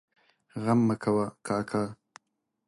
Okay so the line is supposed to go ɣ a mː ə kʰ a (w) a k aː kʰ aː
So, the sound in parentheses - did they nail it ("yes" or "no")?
yes